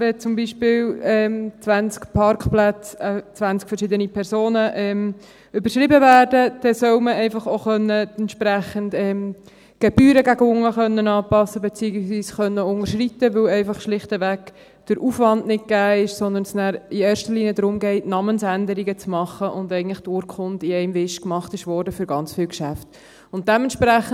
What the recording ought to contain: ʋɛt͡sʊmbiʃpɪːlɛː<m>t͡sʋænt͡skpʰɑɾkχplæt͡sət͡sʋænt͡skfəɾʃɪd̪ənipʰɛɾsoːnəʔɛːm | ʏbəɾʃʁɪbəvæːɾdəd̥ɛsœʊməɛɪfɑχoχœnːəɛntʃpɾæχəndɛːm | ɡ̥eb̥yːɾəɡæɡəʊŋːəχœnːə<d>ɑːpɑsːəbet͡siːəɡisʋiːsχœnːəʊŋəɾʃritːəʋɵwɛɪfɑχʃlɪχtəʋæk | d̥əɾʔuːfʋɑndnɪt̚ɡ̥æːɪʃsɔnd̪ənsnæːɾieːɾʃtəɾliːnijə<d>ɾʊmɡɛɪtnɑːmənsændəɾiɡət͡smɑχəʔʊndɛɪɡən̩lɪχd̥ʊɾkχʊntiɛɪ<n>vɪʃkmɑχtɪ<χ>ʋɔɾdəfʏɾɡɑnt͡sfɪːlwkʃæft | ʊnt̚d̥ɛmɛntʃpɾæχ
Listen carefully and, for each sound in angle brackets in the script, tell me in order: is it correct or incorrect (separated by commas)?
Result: correct, incorrect, correct, incorrect, incorrect